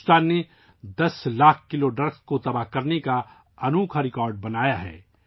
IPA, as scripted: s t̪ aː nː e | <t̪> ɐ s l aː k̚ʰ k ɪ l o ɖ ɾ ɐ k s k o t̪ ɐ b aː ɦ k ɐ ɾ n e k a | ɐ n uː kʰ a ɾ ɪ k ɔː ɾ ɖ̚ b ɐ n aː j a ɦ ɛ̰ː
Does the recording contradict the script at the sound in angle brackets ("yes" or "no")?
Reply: yes